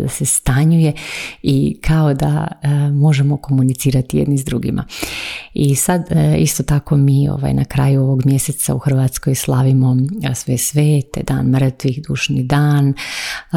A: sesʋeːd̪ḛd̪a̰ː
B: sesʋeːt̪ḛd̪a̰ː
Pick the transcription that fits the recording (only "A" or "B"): B